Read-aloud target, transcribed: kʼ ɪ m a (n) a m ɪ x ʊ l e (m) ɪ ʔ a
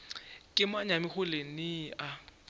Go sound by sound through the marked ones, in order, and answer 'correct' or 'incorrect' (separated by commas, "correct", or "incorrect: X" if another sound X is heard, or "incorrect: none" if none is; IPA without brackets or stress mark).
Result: incorrect: ɲ, incorrect: n